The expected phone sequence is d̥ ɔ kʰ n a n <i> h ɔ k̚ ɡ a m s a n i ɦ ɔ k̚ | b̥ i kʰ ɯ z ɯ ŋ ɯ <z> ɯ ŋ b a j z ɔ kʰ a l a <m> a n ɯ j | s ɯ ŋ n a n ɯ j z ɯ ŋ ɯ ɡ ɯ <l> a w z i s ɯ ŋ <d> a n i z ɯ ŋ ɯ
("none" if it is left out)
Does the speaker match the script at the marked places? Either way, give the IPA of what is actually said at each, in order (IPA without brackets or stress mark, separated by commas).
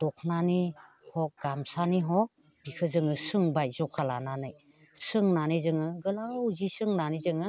i, s, n, l, n